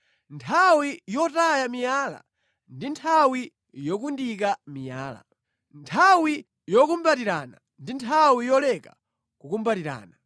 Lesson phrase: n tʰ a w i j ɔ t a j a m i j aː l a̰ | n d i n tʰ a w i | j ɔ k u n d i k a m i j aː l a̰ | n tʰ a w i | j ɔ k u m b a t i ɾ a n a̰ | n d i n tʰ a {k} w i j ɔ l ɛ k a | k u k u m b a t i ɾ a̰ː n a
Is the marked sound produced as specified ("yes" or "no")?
no